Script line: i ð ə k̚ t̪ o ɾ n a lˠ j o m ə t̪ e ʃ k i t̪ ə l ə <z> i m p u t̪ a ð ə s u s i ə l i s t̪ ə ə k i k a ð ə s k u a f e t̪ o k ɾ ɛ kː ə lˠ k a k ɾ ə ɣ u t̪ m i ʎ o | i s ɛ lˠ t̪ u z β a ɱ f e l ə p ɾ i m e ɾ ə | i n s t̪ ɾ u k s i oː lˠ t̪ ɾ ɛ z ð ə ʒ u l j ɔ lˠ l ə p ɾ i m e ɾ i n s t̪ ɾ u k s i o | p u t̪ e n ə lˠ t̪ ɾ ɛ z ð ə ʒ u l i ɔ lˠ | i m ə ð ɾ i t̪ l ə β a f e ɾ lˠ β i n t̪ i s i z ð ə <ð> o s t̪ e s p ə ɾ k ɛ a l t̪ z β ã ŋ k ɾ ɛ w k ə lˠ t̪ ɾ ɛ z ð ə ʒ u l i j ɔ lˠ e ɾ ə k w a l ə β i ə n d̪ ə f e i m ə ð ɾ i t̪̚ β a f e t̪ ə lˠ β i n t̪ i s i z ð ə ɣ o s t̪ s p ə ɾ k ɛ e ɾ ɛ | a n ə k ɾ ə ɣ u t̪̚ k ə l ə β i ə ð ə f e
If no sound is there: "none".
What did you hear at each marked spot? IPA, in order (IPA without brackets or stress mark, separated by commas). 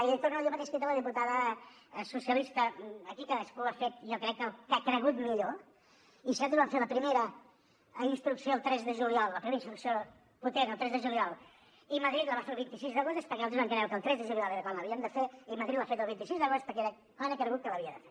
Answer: ð, ɣ